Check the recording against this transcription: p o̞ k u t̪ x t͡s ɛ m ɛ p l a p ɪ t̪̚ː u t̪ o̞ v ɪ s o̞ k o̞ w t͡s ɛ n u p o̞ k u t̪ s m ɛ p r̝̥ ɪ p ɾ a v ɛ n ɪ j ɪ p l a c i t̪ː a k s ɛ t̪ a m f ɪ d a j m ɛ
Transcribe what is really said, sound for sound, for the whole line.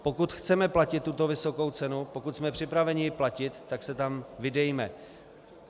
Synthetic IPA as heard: p o̞ k u t̪ x t͡s ɛ m ɛ p l a c ɪ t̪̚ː u t̪ o̞ v ɪ s o̞ k o̞ w t͡s ɛ n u p o̞ k u t̪ s m ɛ p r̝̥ ɪ p ɾ a v ɛ ɲ ɪ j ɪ p l a c ɪ t̪ː a k s ɛ t̪ a m v ɪ d ɛ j m ɛ